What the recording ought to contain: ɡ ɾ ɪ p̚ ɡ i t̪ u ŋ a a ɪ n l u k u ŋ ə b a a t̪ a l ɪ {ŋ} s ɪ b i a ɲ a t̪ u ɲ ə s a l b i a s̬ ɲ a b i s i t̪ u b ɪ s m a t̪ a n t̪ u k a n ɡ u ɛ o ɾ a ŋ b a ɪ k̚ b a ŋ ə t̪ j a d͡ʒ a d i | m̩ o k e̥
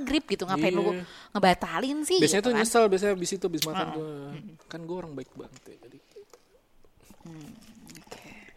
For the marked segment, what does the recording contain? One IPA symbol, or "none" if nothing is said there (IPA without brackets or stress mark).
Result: n